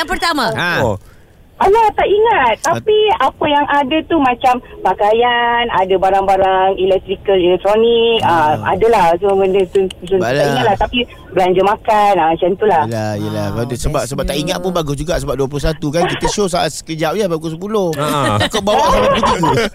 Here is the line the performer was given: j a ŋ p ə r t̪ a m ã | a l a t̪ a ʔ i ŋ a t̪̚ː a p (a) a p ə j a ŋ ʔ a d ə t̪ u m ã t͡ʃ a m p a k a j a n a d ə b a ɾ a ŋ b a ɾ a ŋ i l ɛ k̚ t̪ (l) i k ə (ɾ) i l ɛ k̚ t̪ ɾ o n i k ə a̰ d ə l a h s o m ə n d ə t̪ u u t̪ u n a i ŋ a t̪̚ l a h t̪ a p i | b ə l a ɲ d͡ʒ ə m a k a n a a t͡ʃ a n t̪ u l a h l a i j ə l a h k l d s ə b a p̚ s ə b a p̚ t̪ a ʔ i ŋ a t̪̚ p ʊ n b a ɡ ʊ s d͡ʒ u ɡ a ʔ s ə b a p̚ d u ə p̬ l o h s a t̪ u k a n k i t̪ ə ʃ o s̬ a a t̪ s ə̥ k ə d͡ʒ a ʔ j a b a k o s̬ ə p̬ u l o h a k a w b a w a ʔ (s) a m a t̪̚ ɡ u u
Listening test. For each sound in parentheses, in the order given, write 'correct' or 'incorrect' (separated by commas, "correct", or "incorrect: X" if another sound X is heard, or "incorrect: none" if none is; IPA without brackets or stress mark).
incorrect: i, incorrect: ɾ, incorrect: l, correct